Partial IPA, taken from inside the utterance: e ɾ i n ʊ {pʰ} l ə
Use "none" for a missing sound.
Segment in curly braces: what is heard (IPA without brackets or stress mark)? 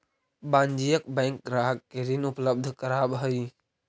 p